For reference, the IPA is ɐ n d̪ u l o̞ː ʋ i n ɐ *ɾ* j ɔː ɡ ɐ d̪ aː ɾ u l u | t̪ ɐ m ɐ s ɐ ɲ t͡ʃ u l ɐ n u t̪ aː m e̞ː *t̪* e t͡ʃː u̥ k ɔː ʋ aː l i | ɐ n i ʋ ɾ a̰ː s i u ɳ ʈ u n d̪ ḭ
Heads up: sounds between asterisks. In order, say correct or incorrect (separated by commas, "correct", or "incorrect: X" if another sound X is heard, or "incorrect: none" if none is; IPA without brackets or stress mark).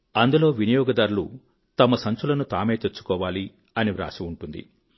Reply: incorrect: none, correct